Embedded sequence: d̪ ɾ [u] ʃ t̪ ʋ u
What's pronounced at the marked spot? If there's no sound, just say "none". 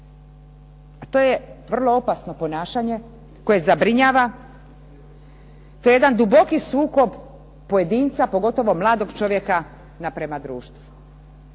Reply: uː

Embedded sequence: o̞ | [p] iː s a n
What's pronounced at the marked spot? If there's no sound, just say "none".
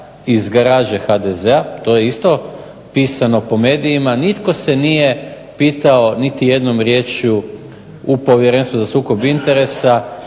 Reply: p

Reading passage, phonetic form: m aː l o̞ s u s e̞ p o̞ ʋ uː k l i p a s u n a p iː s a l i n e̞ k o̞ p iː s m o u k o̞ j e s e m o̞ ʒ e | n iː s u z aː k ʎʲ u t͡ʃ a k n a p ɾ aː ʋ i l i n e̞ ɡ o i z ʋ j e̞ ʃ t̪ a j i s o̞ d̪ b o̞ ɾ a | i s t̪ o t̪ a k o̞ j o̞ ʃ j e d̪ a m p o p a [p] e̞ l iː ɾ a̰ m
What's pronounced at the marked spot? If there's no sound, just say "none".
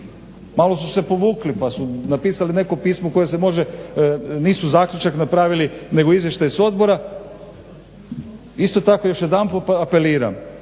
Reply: p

